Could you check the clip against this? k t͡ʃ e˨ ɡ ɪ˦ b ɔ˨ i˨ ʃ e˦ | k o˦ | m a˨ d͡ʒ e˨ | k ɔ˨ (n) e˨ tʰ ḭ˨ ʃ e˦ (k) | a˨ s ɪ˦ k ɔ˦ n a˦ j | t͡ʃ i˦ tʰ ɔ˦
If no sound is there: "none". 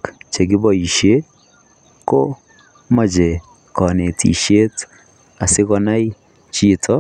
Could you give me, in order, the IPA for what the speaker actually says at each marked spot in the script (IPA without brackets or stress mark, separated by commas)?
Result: n, t